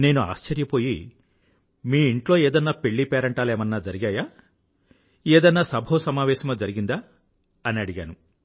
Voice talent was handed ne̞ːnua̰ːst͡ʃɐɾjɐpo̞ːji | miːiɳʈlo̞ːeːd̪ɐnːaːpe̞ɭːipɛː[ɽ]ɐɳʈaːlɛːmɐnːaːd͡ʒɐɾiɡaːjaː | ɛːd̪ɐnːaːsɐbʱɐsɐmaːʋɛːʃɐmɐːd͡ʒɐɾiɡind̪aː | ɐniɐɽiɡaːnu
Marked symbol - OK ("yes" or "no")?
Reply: no